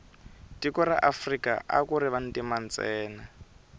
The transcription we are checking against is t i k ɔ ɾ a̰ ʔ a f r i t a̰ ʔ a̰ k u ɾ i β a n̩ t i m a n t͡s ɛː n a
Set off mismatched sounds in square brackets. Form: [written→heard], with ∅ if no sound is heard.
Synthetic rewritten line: t i k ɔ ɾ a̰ ʔ a f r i [t→k] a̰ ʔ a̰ k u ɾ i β a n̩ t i m a n t͡s ɛː n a